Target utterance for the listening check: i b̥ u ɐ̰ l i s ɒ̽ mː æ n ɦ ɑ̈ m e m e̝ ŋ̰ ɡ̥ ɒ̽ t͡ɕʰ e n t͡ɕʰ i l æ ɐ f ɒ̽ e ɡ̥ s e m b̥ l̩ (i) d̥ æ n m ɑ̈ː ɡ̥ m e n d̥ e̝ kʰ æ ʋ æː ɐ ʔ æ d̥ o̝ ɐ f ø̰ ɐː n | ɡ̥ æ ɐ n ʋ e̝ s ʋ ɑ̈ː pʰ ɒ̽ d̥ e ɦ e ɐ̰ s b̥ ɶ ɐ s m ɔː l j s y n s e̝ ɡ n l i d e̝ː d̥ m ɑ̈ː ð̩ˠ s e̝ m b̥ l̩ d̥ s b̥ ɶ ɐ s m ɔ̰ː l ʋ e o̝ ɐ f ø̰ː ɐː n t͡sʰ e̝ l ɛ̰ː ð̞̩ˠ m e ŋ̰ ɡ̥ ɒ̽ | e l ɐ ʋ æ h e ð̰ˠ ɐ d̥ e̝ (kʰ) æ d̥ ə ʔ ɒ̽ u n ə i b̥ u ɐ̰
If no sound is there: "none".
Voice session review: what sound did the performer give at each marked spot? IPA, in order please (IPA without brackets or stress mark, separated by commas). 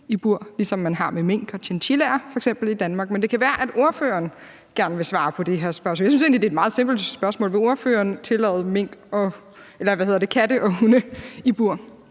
i, kʰ